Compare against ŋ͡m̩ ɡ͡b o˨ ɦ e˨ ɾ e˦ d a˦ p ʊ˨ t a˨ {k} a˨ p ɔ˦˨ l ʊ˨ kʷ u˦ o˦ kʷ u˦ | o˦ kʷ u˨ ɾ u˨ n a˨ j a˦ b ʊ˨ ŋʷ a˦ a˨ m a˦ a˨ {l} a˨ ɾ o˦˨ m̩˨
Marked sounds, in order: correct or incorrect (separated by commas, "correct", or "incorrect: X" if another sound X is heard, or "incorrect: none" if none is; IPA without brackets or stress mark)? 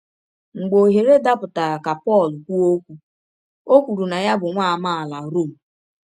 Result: correct, correct